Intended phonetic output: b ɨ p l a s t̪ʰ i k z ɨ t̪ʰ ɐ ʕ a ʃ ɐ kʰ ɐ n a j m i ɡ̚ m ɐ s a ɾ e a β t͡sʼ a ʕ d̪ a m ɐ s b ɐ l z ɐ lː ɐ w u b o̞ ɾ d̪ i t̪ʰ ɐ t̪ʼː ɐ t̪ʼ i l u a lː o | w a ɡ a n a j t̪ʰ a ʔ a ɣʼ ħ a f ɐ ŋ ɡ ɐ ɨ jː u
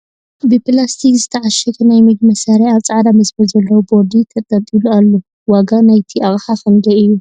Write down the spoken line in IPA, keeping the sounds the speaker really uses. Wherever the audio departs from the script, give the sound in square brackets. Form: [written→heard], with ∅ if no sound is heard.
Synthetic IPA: b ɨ p l a s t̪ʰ i k z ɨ t̪ʰ ɐ ʕ a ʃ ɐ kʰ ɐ n a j m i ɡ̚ m ɐ s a ɾ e a β t͡sʼ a ʕ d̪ a m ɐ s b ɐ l z ɐ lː ɐ w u b o̞ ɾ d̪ i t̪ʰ ɐ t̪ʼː ɐ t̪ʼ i l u a lː o | w a ɡ a n a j t̪ʰ [a→i] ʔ a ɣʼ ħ a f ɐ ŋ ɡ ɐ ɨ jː u